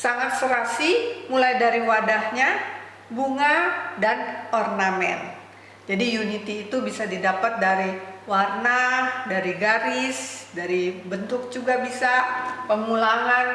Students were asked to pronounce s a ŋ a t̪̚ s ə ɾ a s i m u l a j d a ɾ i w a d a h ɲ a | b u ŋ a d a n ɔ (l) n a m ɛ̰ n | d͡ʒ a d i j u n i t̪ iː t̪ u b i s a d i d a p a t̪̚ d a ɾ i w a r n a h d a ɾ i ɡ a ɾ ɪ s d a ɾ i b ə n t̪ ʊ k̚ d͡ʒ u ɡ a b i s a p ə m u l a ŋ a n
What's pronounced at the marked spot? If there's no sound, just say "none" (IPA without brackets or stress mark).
r